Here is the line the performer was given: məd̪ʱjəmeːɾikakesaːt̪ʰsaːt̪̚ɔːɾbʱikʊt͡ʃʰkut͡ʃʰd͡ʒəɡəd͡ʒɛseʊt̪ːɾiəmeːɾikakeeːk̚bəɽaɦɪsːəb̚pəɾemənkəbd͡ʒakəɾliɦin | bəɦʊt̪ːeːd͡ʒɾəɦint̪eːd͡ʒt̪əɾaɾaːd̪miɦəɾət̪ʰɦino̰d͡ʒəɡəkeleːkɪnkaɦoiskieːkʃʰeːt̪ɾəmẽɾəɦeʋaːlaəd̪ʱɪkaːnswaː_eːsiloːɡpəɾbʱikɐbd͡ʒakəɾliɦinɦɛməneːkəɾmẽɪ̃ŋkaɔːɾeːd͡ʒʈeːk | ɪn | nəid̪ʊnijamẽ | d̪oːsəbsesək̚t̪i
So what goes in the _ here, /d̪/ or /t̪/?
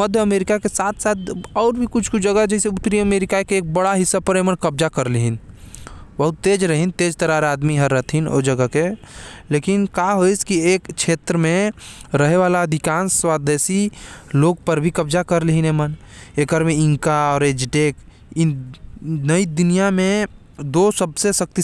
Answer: d̪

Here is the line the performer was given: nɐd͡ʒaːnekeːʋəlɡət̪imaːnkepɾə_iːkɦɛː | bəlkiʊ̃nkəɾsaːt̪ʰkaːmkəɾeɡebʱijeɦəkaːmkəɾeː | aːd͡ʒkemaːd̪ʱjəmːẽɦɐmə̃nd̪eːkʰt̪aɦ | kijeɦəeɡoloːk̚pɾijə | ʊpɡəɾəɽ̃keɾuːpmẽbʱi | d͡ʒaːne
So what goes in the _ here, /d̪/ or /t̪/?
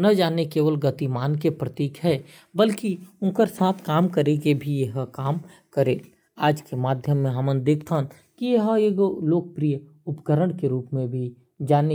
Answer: t̪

